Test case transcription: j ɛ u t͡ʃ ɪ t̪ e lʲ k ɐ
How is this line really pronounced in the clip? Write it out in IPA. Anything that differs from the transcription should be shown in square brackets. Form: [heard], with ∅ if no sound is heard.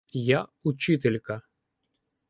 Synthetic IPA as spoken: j [a] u t͡ʃ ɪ t̪ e lʲ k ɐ